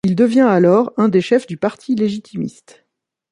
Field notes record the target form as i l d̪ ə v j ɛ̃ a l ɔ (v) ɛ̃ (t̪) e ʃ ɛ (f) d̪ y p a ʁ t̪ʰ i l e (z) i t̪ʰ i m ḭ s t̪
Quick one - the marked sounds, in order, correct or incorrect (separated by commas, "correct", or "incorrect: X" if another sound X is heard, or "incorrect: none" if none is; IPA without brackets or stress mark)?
incorrect: ʁ, incorrect: d̪, correct, incorrect: ʒ